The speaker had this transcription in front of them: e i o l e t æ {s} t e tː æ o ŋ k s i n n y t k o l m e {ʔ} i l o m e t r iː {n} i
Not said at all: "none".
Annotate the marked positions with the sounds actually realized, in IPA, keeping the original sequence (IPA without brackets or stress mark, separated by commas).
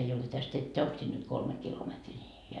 s, k, n